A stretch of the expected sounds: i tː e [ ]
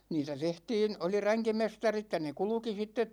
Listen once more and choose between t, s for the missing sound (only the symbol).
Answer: t